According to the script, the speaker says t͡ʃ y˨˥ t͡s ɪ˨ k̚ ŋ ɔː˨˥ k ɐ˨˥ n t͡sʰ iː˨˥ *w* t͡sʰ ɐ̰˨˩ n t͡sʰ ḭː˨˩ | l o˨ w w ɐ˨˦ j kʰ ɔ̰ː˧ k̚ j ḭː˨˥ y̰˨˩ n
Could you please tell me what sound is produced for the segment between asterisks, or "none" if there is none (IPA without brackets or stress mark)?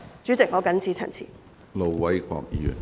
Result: none